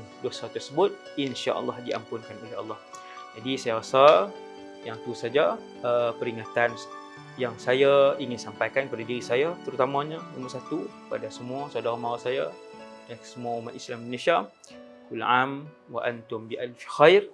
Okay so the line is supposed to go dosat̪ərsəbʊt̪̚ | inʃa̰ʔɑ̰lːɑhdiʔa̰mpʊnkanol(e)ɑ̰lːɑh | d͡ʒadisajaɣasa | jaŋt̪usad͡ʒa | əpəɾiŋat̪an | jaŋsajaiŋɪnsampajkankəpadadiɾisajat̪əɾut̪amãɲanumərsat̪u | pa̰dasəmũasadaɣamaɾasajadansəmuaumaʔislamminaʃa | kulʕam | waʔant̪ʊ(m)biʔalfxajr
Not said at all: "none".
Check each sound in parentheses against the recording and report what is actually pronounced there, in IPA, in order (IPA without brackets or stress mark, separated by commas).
e, m